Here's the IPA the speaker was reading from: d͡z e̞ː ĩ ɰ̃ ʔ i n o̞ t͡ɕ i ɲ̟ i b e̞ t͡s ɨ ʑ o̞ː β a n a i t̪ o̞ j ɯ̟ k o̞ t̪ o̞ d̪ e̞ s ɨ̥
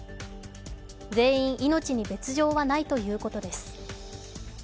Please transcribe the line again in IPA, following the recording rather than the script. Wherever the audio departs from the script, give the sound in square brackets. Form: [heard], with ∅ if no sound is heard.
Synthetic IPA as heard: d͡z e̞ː ĩ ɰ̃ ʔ i n o̞ t͡ɕ i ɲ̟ i b e̞ t͡s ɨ ʑ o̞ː β a n a i t̪ o̞ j [ɯ̟ː] k o̞ t̪ o̞ d̪ e̞ s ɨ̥

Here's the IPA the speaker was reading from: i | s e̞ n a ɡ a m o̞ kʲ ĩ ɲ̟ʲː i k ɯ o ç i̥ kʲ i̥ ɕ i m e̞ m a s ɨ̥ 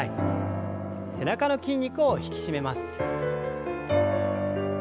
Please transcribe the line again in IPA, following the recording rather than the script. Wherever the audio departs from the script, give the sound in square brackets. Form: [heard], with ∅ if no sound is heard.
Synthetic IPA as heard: i | s e̞ n a [k] a [n] o̞ kʲ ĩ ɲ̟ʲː i k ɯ o ç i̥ kʲ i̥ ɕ i m e̞ m a s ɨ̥

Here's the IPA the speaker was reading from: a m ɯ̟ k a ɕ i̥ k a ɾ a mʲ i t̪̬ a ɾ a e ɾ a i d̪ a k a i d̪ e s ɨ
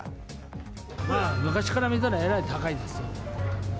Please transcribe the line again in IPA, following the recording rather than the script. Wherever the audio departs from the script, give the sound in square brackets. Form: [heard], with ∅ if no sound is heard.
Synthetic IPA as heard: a m ɯ̟ k a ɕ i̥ k a ɾ a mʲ i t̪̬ a ɾ a e ɾ a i [t̪] a k a i d̪ e s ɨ

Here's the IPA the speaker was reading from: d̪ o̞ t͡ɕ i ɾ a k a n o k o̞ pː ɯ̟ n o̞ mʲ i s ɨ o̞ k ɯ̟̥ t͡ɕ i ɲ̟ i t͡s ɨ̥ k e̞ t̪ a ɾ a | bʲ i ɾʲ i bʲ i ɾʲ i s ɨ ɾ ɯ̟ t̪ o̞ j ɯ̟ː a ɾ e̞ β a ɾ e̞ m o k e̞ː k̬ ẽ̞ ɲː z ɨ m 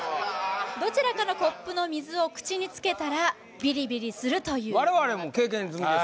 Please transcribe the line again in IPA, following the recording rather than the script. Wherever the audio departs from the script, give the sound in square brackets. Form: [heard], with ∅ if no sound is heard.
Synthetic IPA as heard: d̪ o̞ t͡ɕ i ɾ a k a n o k o̞ pː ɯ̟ n o̞ mʲ i [z] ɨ o̞ k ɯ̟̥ t͡ɕ i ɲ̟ i t͡s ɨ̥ k e̞ t̪ a ɾ a | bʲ i ɾʲ i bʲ i ɾʲ i s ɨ ɾ ɯ̟ t̪ o̞ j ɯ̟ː a ɾ e̞ β a ɾ e̞ m o k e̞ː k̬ ẽ̞ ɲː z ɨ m

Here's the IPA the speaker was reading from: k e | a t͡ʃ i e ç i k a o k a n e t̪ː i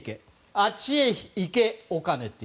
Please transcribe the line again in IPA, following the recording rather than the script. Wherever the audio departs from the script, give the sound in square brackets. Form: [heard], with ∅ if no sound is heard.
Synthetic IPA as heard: k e | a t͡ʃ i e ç i k [e] o k a n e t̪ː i

